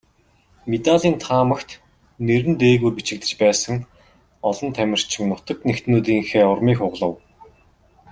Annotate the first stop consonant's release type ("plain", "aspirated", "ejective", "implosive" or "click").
plain